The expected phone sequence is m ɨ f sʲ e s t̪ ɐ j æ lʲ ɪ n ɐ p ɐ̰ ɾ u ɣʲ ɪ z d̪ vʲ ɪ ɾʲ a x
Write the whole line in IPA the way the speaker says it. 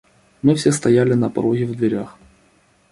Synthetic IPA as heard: m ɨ f sʲ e s t̪ ɐ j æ lʲ ɪ n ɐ p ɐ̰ ɾ o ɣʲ ɪ v d̪ vʲ ɪ ɾʲ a x